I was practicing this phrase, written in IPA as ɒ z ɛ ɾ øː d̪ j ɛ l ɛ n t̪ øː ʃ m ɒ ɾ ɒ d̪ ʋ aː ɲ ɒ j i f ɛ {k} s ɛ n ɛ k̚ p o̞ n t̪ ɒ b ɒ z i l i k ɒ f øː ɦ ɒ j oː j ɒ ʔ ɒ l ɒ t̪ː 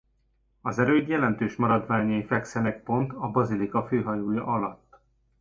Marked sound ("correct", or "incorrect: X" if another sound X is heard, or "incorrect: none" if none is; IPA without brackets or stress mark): correct